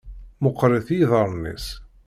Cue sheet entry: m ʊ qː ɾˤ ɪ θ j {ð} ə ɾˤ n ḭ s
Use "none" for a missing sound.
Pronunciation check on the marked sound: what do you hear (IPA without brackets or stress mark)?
ð